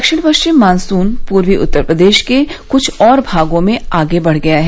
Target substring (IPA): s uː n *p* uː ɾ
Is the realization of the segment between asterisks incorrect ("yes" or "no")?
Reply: no